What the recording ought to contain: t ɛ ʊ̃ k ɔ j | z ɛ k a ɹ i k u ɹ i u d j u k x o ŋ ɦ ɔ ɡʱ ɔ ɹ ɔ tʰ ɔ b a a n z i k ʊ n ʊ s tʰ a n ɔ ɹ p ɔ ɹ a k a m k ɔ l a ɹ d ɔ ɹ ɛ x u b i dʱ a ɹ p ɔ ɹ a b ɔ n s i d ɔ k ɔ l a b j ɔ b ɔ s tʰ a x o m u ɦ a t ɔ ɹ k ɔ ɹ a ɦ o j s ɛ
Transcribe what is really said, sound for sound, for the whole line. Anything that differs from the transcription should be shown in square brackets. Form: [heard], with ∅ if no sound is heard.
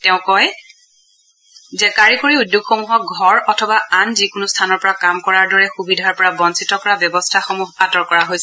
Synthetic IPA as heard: t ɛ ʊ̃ k ɔ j | z ɛ k a ɹ i k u ɹ i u d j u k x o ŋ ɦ ɔ ɡʱ ɔ ɹ ɔ tʰ ɔ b a a n z i k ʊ n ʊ s tʰ a n ɔ ɹ p ɔ ɹ a k a m k ɔ [ɹ] a ɹ d ɔ ɹ ɛ x u b i dʱ a ɹ p ɔ ɹ a b ɔ n s i [t] ɔ k ɔ [ɹ] a b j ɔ b ɔ s tʰ a x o m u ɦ a t ɔ ɹ k ɔ ɹ a ɦ o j s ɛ